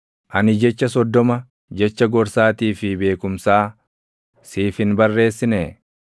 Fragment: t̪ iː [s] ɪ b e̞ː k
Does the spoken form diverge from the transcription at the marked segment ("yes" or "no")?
yes